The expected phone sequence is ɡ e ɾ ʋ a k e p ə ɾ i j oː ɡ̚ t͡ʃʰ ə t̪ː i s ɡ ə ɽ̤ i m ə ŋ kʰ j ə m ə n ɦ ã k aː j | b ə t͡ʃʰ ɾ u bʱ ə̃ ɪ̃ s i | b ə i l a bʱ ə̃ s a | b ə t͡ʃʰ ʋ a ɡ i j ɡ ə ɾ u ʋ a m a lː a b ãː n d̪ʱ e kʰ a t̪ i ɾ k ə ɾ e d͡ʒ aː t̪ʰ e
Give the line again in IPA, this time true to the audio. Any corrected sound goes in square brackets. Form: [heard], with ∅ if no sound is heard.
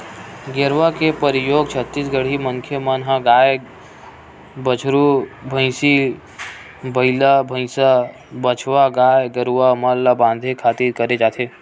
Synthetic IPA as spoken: ɡ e ɾ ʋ a k e p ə ɾ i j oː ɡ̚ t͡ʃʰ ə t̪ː i s ɡ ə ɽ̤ i m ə ŋ kʰ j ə m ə n ɦ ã [ɡ] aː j | b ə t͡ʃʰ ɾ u bʱ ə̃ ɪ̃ s i | b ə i l a bʱ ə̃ s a | b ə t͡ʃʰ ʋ a ɡ [a] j ɡ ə ɾ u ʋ a m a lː a b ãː n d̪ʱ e kʰ a t̪ i ɾ k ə ɾ e d͡ʒ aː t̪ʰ e